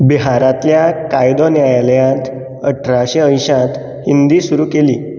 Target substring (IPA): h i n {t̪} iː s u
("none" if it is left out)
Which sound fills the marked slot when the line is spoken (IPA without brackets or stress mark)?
d̪